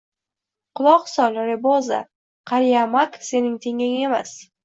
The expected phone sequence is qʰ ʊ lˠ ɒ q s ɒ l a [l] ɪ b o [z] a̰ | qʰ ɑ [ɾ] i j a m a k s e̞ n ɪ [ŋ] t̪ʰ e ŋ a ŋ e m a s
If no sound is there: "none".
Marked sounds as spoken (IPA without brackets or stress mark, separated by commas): ɾ, z, ɾ, ŋ